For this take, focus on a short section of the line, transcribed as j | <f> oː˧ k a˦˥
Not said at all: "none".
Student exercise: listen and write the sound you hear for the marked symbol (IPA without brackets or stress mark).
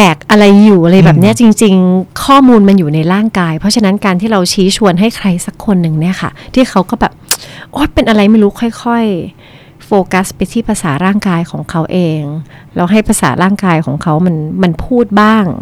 f